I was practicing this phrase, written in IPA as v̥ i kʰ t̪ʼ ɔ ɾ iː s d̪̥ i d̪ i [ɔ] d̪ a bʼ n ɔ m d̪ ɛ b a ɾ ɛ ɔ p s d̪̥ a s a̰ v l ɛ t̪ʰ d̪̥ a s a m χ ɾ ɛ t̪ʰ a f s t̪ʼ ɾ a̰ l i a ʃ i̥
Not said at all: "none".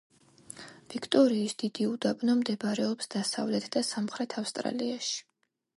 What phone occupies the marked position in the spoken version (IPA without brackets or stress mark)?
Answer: u